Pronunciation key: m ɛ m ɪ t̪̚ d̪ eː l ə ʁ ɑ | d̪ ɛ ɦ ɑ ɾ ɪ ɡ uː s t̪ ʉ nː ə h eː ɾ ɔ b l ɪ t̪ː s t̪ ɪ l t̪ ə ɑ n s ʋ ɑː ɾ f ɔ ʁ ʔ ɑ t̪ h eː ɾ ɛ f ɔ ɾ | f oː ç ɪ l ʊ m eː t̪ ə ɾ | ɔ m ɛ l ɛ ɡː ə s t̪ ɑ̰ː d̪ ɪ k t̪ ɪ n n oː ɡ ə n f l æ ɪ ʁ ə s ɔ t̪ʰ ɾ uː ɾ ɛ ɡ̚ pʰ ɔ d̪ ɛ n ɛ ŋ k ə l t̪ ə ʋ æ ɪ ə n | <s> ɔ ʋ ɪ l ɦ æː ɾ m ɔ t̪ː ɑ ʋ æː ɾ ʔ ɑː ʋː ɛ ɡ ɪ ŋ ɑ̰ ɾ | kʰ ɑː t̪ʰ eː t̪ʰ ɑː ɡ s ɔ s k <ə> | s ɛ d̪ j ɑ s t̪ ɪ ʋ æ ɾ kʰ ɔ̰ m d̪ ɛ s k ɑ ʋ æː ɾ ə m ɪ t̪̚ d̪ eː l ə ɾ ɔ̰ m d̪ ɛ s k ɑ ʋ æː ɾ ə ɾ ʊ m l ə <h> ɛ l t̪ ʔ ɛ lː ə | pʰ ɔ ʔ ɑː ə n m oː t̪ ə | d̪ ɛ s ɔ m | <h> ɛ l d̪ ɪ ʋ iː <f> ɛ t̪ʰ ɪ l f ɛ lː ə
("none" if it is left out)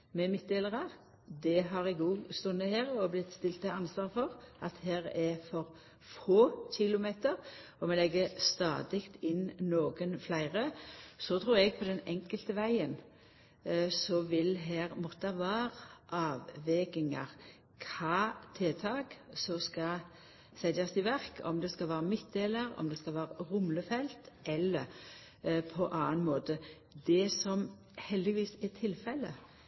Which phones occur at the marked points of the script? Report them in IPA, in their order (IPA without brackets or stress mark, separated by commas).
s, ɑ, f, h, s